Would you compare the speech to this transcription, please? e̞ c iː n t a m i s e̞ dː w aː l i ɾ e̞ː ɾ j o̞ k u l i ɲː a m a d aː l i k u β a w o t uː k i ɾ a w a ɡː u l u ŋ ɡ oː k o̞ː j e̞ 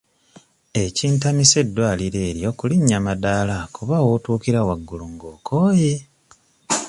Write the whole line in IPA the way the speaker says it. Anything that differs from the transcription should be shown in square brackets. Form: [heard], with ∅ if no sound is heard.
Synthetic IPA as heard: e̞ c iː n t a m i s e̞ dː w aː l i ɾ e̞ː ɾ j o̞ k u l i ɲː a m a d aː l [a] k u β a w o t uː k i ɾ a w a ɡː u l u ŋ ɡ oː k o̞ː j e̞